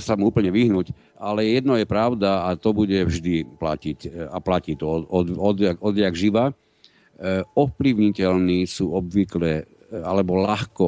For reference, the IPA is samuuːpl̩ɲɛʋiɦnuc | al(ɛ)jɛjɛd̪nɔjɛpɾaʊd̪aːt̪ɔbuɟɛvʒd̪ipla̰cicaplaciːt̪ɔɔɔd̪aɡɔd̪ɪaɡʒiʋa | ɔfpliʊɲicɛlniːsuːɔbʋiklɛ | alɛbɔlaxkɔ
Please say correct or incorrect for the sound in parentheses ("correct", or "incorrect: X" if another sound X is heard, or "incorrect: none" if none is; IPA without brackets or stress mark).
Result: correct